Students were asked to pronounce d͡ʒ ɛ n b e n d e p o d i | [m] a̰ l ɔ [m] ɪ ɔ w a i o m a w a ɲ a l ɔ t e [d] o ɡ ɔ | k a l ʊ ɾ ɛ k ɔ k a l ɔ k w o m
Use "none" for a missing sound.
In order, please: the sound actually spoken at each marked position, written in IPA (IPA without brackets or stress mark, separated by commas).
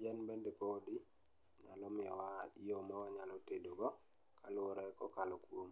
ɲ, m, d